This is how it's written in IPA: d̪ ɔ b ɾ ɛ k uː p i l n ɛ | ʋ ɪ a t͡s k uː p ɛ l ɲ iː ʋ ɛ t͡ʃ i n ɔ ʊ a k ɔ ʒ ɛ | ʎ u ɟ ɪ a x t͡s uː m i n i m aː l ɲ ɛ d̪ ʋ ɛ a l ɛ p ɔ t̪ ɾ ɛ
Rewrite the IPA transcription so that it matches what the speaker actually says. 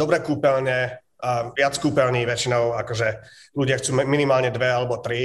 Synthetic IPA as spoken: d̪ ɔ b ɾ ɛ k uː p ɛ l ɲ ɛ | ʋ ɪ a t͡s k uː p ɛ l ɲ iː ʋ ɛ t͡ʃ i n ɔ ʊ a k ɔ ʒ ɛ | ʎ u ɟ ɪ a x t͡s uː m i n i m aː l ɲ ɛ d̪ ʋ ɛ a l ɛ b ɔ t̪ ɾ i